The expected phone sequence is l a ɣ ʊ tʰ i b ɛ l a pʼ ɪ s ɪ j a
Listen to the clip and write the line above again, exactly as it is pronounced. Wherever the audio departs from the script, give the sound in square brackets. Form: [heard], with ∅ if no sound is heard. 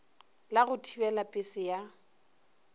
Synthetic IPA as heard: l a ɣ ʊ tʰ i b ɛ l a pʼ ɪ s ɪ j a